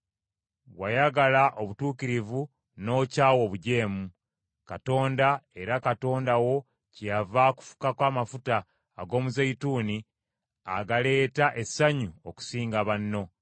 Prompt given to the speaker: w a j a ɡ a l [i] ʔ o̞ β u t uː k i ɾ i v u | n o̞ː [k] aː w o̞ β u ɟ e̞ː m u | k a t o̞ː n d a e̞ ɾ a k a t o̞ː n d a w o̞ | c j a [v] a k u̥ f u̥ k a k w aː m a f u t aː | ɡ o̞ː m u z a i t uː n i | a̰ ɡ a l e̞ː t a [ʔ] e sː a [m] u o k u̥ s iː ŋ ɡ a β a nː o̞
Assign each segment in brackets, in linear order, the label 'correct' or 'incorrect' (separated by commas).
incorrect, incorrect, correct, correct, incorrect